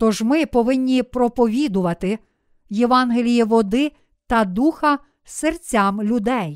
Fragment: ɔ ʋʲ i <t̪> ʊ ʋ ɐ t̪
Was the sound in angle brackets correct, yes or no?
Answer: no